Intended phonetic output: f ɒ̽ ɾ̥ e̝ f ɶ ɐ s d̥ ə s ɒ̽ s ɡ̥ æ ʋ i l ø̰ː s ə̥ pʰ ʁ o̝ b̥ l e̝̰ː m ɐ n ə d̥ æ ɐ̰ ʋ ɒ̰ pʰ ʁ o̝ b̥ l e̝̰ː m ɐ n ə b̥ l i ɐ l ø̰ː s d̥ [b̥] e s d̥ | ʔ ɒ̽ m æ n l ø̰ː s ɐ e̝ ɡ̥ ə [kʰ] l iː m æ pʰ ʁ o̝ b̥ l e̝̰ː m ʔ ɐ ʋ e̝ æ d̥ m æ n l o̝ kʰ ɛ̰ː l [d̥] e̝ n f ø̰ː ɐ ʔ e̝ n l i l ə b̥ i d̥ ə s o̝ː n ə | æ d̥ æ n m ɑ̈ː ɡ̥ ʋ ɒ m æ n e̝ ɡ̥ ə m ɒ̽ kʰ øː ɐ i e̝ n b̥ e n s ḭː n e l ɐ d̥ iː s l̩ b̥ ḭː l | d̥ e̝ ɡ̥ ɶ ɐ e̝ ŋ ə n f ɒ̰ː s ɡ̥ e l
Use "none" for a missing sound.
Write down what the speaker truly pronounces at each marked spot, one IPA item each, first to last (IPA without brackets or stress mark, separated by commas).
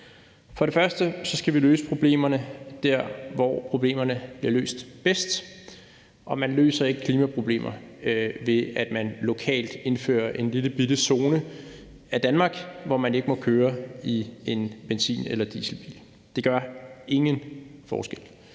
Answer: b̥, kʰ, d̥